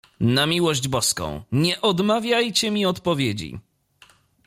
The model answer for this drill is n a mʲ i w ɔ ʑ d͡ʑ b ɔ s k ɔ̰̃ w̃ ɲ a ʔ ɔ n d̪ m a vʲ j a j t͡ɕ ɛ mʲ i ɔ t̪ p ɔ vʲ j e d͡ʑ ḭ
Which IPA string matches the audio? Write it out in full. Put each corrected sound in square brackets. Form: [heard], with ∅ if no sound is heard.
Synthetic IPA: n a mʲ i w ɔ ʑ d͡ʑ b ɔ s k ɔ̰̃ w̃ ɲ [ɛ] ʔ ɔ [∅] d̪ m a vʲ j a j t͡ɕ ɛ mʲ i ɔ t̪ p ɔ vʲ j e d͡ʑ ḭ